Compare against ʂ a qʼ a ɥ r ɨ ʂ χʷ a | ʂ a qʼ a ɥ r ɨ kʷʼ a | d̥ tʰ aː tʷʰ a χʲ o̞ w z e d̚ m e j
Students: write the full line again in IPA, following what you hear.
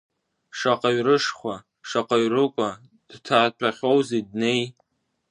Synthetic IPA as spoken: ʂ a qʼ a ɥ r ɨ ʂ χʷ a | ʂ a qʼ a ɥ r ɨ kʷʼ a | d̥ tʰ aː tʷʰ a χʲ o̞ w z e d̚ n e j